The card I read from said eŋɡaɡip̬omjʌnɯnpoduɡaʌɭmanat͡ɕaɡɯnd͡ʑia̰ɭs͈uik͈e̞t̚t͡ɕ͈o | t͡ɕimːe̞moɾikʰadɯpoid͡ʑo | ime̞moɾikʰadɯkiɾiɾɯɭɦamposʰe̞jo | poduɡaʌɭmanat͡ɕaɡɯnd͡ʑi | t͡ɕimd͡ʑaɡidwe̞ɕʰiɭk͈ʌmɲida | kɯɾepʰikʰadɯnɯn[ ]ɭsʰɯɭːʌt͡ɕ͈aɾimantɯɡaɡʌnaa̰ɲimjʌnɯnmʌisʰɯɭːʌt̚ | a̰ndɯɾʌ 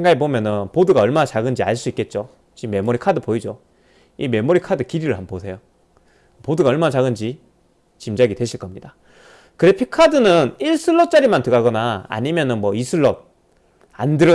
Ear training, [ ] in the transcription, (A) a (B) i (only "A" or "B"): B